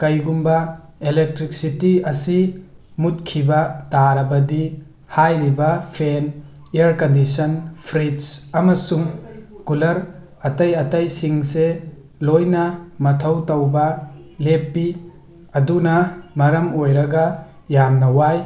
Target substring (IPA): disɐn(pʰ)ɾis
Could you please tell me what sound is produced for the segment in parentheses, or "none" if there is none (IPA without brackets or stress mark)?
pʰ